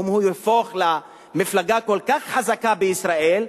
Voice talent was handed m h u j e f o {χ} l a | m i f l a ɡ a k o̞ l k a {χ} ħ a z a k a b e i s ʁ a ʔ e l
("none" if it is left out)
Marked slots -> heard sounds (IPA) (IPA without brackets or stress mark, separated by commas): χ, χ